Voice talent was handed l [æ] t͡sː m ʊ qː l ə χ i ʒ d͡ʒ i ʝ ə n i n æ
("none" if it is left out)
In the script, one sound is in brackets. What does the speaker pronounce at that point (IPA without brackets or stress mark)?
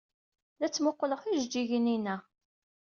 æ